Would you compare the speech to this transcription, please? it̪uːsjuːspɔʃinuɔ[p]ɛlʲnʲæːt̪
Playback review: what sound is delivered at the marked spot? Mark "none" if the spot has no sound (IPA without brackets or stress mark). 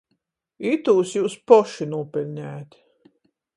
p